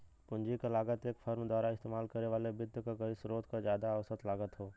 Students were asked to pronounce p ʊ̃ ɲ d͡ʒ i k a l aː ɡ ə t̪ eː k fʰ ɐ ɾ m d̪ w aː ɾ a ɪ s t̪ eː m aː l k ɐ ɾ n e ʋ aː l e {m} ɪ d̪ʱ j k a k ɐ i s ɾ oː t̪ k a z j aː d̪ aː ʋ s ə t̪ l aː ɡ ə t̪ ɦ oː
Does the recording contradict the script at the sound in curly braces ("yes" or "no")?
yes